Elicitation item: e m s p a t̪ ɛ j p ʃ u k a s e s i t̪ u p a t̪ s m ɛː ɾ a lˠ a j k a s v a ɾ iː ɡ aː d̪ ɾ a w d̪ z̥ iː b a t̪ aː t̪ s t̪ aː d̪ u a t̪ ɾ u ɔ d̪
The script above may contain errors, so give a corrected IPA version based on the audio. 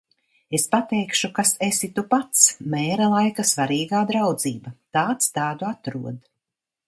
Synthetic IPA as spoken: e s p a t̪ ɛ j k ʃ u k a s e s i t̪ u p a t̪ s m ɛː ɾ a lˠ a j k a s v a ɾ iː ɡ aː d̪ ɾ a w d̪ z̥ iː b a t̪ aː t̪ s t̪ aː d̪ u a t̪ ɾ u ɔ d̪